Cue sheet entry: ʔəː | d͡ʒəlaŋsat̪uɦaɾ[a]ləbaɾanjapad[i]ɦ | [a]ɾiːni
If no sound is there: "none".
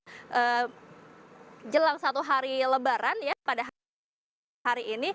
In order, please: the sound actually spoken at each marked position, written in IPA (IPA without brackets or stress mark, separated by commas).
i, a, a